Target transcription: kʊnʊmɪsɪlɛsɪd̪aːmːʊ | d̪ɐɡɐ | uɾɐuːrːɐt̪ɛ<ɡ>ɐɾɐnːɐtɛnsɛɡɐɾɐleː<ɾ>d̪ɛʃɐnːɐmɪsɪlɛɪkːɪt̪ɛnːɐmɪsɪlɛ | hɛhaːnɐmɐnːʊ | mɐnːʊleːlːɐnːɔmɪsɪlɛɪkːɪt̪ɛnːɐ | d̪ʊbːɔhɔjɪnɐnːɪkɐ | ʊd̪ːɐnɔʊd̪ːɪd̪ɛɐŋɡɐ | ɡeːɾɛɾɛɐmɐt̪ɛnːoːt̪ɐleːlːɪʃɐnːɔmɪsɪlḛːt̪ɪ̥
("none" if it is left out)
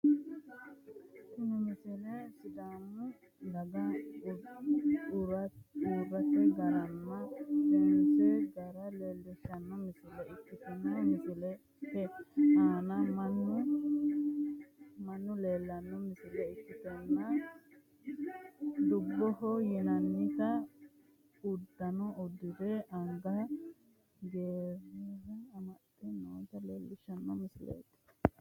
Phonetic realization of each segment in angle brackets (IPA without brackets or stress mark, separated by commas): ɡ, l